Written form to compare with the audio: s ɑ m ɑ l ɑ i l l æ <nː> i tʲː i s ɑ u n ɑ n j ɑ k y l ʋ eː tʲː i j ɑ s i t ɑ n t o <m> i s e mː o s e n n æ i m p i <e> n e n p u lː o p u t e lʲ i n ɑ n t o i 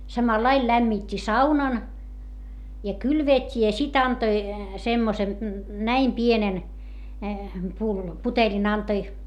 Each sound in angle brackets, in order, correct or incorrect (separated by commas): incorrect, incorrect, correct